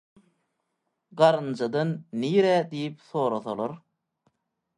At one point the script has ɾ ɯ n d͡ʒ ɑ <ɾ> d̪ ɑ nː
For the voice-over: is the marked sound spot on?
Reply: no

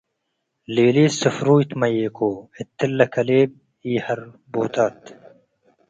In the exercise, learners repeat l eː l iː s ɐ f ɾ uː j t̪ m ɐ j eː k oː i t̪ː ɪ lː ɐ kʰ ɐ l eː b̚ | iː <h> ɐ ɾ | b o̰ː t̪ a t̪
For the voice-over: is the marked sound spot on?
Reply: yes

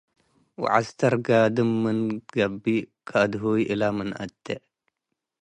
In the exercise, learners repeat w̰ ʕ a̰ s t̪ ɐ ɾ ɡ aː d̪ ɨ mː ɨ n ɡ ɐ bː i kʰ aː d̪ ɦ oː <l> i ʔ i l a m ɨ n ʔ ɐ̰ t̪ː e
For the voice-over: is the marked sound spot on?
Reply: no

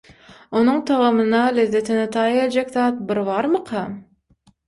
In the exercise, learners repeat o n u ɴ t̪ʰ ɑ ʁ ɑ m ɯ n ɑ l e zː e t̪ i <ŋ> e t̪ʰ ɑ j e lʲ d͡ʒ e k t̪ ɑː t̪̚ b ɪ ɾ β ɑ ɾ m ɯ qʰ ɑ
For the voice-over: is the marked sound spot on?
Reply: no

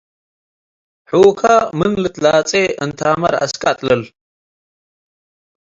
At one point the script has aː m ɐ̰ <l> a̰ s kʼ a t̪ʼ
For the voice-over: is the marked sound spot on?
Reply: no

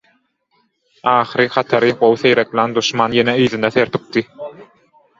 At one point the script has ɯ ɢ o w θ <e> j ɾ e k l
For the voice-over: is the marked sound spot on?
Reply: yes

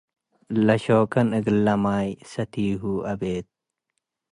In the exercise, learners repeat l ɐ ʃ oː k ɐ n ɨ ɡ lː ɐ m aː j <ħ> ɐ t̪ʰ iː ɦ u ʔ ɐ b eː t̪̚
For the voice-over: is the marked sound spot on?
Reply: no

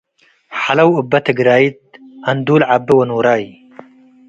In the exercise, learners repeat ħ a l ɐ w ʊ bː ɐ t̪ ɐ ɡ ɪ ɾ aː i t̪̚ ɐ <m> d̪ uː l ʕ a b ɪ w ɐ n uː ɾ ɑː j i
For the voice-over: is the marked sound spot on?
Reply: no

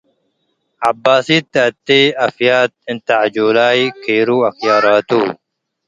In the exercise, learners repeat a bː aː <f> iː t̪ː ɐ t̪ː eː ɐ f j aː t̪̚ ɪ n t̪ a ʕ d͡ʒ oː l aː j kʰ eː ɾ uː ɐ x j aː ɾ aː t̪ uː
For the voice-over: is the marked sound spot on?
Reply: no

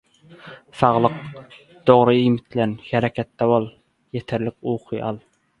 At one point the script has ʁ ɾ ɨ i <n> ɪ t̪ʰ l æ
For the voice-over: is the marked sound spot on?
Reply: no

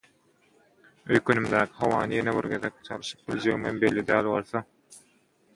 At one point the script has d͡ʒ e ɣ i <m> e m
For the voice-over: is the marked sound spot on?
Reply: yes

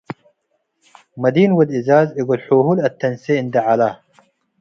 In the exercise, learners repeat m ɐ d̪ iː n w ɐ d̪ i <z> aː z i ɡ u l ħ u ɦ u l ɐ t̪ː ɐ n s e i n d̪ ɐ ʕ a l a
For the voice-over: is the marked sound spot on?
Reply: yes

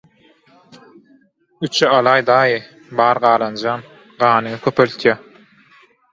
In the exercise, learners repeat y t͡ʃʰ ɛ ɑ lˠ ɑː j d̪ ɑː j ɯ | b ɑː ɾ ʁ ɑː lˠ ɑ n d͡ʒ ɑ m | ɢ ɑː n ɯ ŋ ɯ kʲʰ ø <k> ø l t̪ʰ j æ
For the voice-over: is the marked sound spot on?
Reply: no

